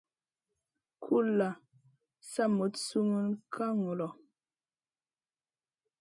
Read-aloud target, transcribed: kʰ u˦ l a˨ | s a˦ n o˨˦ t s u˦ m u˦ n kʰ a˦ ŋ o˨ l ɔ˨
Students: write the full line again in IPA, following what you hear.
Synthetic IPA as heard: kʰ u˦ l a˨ | s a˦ m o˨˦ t s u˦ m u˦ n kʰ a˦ ŋ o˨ l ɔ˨

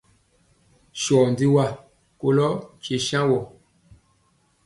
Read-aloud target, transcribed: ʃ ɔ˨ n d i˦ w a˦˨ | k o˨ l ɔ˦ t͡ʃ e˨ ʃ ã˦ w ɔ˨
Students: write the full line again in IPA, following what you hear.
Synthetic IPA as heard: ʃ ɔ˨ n d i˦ w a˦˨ | k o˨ l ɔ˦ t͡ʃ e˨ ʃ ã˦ w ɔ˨

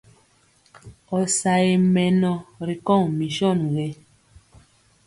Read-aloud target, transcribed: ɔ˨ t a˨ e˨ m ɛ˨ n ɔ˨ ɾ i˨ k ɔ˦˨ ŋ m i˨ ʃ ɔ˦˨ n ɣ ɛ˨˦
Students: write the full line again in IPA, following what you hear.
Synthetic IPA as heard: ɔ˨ s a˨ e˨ m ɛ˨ n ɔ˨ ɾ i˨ k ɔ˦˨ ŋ m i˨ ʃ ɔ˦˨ n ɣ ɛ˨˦

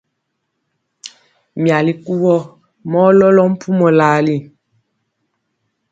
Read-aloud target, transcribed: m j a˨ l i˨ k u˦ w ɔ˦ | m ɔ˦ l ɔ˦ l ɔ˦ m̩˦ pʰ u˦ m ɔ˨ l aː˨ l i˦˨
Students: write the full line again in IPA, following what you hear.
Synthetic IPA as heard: m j a˨ l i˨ k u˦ w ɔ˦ | m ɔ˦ l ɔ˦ l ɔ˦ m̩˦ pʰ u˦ m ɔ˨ l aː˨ l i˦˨

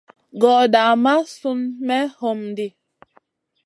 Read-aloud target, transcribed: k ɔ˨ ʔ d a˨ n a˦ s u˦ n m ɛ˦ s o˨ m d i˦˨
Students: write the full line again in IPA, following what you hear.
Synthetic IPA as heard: ɡ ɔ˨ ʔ d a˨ m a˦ s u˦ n m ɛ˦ h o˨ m d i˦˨

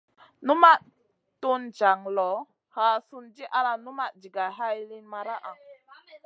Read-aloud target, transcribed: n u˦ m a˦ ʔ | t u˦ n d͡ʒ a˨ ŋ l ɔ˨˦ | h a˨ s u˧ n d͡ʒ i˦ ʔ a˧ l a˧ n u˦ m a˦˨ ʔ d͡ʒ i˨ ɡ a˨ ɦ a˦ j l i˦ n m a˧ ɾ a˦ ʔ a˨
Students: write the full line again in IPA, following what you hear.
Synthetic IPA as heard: n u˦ m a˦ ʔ | t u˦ n d͡ʒ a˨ ŋ l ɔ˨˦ | h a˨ s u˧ n d͡ʒ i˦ ʔ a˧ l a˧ n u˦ m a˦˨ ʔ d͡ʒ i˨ ɡ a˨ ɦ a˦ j l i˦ n m a˧ ɾ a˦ ʔ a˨

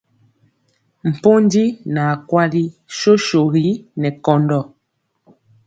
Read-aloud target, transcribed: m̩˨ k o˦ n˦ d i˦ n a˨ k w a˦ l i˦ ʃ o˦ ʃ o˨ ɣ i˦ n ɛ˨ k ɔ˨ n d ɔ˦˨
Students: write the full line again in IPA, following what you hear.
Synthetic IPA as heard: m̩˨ p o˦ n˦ d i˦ n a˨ k w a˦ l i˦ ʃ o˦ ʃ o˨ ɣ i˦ n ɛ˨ k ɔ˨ n d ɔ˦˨

